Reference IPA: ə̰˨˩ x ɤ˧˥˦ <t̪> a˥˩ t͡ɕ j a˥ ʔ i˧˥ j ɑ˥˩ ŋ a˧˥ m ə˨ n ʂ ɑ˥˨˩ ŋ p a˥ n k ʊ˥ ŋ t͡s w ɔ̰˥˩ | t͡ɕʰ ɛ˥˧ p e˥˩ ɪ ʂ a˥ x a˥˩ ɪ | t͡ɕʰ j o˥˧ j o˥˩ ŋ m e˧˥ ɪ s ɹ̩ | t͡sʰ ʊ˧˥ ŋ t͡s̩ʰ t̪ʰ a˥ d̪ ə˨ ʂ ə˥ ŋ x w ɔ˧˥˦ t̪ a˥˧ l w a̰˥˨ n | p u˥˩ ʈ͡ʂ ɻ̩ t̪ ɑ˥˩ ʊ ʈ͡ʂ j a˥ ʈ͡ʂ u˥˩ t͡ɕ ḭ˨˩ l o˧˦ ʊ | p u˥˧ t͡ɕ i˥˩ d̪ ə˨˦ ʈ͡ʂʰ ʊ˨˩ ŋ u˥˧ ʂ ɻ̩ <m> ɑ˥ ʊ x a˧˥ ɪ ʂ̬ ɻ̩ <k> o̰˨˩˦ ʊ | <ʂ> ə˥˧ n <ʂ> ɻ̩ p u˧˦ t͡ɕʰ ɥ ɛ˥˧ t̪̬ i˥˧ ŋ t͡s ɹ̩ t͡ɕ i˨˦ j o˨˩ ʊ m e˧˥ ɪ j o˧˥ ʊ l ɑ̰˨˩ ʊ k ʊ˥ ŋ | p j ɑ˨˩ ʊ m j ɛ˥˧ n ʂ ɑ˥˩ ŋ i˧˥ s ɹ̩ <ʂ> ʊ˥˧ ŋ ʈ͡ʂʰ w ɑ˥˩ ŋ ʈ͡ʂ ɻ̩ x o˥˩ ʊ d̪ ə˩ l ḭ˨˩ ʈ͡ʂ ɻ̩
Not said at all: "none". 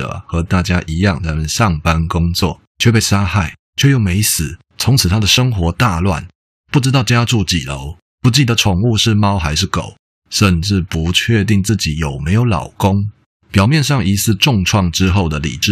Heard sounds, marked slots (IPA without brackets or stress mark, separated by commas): t̪, m, k, ʂ, ʈ͡ʂ, ʈ͡ʂ